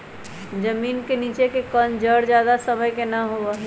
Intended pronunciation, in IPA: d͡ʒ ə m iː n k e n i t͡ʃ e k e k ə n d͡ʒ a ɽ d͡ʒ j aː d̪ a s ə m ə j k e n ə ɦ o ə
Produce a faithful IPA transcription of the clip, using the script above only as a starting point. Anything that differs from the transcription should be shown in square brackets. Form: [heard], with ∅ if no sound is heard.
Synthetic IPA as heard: d͡ʒ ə m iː n k e n i t͡ʃ e k e k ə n d͡ʒ [ə] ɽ d͡ʒ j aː d̪ a s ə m ə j k e n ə ɦ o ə